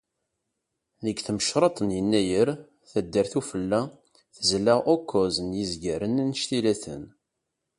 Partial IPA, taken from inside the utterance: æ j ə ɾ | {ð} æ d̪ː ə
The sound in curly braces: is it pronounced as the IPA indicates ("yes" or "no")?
no